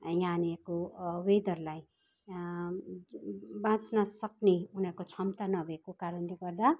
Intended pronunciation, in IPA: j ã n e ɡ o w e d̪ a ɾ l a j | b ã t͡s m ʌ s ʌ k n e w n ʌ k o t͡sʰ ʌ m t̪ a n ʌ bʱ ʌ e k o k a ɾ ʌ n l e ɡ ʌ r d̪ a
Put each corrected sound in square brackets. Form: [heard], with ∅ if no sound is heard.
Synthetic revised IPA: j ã n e [k] o w e d̪ [ʌ] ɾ l a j | b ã t͡s [n] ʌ s ʌ k n e [u] n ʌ k o t͡sʰ ʌ m t̪ a n ʌ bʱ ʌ e k o k a ɾ ʌ n l e ɡ ʌ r d̪ a